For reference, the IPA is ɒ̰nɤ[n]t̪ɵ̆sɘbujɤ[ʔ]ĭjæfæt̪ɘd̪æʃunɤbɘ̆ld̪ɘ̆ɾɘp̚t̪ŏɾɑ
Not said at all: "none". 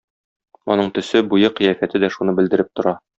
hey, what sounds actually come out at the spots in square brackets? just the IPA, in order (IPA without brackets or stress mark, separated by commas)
ɴ, q